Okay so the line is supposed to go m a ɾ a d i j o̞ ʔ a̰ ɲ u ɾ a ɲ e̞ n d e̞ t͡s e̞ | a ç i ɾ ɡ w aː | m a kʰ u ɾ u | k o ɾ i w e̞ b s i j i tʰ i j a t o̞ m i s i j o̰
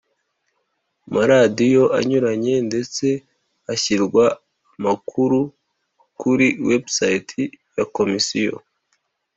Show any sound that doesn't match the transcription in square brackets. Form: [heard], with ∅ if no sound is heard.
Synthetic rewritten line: m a ɾ a d i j o̞ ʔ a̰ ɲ u ɾ a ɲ e̞ n d e̞ t͡s e̞ | a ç i ɾ ɡ w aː | m a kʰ u ɾ u | k [u] ɾ i w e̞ b s [a] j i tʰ i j a [k] o̞ m i s i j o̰